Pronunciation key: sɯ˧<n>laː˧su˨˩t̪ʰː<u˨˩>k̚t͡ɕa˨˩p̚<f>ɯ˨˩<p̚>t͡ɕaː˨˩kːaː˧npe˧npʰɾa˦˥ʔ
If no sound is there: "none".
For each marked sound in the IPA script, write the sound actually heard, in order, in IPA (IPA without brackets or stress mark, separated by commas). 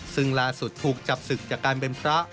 ŋ, uː˨˩, s, k̚